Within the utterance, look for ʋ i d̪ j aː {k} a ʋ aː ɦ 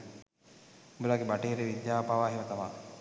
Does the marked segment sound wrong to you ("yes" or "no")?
yes